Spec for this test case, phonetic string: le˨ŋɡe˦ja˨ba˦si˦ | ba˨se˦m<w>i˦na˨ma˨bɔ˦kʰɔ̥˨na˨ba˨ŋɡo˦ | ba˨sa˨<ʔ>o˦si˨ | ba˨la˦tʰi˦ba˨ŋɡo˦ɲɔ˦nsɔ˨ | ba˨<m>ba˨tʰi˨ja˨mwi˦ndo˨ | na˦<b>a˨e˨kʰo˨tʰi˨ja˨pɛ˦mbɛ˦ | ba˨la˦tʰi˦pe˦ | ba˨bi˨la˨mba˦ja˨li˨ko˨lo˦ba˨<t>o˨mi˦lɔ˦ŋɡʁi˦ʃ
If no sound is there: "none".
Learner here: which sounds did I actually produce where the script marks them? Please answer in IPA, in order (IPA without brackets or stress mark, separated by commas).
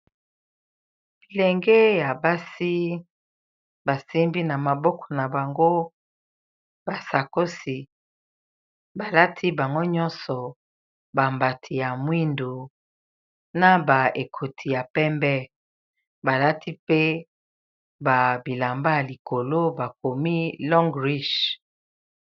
b, k, m, b, k